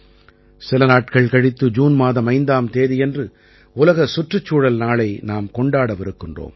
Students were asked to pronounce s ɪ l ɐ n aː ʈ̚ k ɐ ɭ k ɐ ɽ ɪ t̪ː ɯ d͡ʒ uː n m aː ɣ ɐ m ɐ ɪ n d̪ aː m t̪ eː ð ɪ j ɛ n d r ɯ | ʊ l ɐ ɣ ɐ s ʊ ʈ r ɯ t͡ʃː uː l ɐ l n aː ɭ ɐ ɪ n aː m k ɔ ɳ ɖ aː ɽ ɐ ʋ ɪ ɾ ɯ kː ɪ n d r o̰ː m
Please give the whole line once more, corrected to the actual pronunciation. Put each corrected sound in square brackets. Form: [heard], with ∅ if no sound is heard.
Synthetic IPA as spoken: s ɪ l ɐ n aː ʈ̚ k ɐ ɭ k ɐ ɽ ɪ t̪ː ɯ d͡ʒ uː n m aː [ð] ɐ m ɐ ɪ n d̪ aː m t̪ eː ð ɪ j ɛ n d r ɯ | ʊ l ɐ ɣ ɐ s ʊ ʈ r ɯ t͡ʃː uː [ɽ] ɐ l n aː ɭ ɐ ɪ n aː m k ɔ ɳ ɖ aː ɽ ɐ ʋ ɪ ɾ ɯ kː ɪ n d r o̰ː m